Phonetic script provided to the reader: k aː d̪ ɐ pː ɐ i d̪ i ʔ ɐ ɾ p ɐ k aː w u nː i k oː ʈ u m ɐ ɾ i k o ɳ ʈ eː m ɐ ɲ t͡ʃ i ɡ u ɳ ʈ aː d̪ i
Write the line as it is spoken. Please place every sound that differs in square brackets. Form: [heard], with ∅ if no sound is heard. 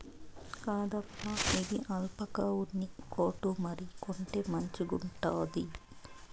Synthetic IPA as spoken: k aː d̪ ɐ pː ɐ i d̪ i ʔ ɐ [l] p ɐ k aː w u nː i k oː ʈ u m ɐ ɾ i k o ɳ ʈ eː m ɐ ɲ t͡ʃ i ɡ u ɳ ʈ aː d̪ i